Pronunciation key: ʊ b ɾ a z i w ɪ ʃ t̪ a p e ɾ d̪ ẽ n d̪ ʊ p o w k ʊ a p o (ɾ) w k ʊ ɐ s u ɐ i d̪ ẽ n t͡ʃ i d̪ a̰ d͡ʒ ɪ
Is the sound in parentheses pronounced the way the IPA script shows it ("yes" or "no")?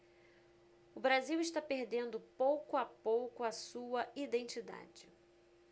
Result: no